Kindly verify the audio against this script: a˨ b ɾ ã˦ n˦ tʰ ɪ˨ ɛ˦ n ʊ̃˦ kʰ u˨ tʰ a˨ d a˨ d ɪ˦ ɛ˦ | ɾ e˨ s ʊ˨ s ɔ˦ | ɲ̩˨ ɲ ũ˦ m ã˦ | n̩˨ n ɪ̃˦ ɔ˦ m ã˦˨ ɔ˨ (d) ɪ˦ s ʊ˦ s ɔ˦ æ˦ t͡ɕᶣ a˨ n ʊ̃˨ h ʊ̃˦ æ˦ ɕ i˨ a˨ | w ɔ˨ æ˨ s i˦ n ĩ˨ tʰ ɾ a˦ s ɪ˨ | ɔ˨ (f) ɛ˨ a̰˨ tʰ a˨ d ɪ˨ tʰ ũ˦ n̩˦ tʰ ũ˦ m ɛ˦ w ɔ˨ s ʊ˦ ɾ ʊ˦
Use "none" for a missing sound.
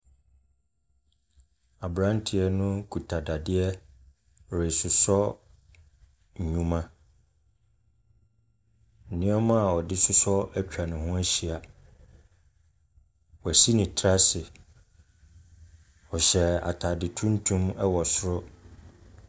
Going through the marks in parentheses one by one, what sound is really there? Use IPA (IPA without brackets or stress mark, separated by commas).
d, ɕ